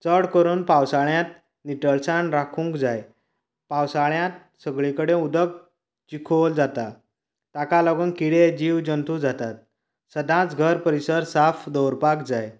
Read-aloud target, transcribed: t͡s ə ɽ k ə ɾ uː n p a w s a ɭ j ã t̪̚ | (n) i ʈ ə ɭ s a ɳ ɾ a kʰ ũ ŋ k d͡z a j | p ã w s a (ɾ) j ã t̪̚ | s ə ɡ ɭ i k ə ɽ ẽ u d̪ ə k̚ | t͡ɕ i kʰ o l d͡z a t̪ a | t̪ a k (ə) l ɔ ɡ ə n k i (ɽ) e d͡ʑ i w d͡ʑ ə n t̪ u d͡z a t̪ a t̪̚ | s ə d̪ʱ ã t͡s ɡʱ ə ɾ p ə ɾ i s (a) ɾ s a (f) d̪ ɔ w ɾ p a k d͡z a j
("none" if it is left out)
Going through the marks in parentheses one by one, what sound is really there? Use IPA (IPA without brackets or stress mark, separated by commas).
n, ɭ, a, ɽ, ə, f